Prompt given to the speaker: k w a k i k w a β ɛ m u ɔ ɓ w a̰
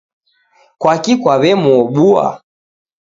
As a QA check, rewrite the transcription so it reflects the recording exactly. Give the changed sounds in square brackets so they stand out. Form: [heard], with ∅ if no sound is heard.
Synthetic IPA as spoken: k w a k i k w a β ɛ m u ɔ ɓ [u] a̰